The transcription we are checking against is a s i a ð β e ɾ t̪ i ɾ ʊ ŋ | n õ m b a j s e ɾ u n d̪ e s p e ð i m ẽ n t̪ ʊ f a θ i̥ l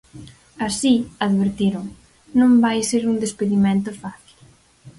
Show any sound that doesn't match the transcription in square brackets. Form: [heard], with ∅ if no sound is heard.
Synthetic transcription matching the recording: a s i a ð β e ɾ t̪ i ɾ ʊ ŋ | n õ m b a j s e ɾ u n d̪ e s p e ð i m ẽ n t̪ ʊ f a θ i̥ l